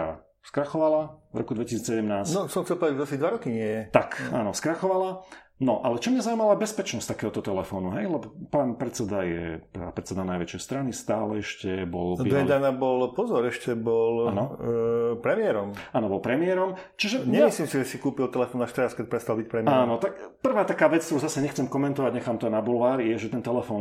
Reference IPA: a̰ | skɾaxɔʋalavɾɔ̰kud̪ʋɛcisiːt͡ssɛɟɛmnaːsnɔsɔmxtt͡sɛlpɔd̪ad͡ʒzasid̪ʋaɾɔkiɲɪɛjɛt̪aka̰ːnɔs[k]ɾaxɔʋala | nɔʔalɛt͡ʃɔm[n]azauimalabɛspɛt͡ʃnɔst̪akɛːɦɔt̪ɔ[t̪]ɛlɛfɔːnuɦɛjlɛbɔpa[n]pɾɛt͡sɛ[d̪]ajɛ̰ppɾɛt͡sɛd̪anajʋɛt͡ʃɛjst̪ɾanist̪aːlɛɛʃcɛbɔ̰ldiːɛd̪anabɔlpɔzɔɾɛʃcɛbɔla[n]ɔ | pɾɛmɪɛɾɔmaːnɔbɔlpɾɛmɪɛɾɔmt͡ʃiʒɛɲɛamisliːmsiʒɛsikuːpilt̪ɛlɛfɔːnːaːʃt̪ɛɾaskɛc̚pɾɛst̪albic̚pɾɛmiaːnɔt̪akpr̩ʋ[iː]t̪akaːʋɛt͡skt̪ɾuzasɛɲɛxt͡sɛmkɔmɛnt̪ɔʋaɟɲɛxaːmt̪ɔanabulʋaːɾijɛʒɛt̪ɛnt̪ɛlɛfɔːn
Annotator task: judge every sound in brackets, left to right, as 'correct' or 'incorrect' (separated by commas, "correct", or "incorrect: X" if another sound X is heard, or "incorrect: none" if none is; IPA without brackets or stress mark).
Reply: correct, incorrect: ɲ, correct, correct, correct, correct, incorrect: aː